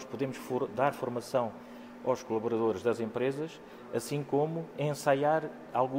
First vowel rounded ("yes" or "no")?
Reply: yes